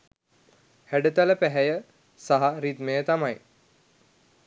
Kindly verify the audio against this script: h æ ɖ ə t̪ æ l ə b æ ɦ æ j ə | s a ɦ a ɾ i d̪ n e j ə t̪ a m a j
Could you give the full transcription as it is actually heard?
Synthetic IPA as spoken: h æ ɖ ə t̪ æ l ə p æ ɦ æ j ə | s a ɦ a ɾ i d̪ m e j ə t̪ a m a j